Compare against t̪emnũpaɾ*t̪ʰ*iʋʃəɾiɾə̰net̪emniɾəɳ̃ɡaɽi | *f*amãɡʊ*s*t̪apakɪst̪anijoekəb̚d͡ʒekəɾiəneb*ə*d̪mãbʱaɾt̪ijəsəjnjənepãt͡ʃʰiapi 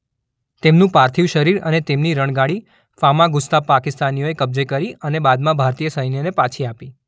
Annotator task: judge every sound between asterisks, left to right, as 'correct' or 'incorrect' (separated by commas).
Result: correct, correct, correct, incorrect